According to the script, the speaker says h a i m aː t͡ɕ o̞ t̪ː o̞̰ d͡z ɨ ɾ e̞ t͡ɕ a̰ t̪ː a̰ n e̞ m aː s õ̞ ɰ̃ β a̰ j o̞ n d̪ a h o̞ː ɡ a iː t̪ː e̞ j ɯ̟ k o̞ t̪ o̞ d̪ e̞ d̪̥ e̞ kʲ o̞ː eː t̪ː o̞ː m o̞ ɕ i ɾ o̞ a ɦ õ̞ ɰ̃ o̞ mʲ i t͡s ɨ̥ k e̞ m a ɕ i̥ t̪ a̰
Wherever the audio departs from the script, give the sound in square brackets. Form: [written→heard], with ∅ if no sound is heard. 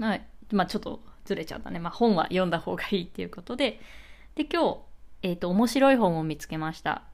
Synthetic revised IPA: h a i m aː t͡ɕ o̞ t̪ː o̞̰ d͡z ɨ ɾ e̞ t͡ɕ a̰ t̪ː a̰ n e̞ m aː [s→h] õ̞ ɰ̃ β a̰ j [o̞→õ̞] n d̪ a h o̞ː ɡ a iː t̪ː e̞ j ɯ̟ k o̞ t̪ o̞ d̪ e̞ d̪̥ e̞ kʲ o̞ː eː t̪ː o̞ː m o̞ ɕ i ɾ o̞ [a→i] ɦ õ̞ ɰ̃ o̞ mʲ i t͡s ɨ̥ k e̞ m a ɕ i̥ t̪ a̰